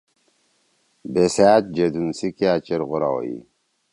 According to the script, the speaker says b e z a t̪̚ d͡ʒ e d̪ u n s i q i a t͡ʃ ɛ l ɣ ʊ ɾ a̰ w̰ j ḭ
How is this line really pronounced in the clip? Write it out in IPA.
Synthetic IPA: b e s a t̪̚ d͡ʒ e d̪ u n s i k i a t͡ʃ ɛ ɾ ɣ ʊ ɾ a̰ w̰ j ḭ